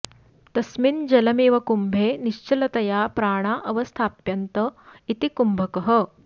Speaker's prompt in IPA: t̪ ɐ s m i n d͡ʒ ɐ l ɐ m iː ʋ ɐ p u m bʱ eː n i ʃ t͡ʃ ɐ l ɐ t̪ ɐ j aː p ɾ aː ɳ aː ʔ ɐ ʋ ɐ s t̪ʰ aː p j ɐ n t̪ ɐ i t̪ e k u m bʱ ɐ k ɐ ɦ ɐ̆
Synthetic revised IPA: t̪ ɐ s m i n d͡ʒ ɐ l ɐ m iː ʋ ɐ k u m bʱ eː n i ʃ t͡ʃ ɐ l ɐ t̪ ɐ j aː p ɾ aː ɳ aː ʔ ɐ ʋ ɐ s t̪ʰ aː p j ɐ n t̪ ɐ i t̪ i k u m bʱ ɐ k ɐ ɦ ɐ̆